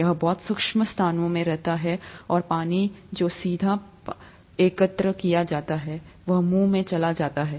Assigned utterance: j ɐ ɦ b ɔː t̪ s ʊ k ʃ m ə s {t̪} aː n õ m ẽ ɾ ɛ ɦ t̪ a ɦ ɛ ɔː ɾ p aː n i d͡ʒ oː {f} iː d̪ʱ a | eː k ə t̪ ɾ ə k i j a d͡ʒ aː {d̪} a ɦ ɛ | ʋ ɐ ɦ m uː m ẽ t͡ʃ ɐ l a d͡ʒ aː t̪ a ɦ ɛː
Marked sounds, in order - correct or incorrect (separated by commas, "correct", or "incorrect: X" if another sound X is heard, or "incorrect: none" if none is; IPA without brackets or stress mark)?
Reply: incorrect: t̪ʰ, incorrect: s, incorrect: t̪